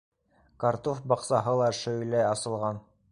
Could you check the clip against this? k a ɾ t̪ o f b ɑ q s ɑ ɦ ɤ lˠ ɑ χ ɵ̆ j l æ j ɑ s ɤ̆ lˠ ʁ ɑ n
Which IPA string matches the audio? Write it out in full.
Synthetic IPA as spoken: k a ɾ t̪ o f b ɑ q s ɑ ɦ ɤ lˠ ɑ ʃ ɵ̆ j l æ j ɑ s ɤ̆ lˠ ʁ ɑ n